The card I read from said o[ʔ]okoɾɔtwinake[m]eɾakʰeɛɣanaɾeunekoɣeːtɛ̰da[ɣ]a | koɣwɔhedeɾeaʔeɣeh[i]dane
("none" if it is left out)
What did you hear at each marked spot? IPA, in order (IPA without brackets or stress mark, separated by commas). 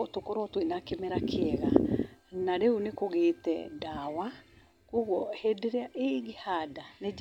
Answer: t, m, w, a